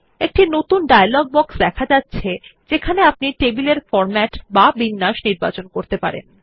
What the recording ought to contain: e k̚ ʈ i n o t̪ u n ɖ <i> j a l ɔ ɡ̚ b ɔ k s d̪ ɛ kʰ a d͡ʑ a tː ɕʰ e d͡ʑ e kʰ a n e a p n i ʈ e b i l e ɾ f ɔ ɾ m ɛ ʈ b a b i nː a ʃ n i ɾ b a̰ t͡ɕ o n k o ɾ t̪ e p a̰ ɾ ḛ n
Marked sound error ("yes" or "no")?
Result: yes